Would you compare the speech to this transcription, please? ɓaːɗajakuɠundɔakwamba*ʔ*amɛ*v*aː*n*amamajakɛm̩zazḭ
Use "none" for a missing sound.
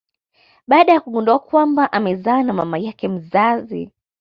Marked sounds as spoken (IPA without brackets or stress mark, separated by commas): ʔ, z, n